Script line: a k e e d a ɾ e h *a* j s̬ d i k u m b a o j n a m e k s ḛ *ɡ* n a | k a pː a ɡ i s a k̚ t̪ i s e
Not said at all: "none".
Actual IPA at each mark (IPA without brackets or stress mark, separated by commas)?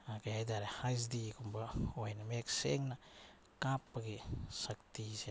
a, ŋ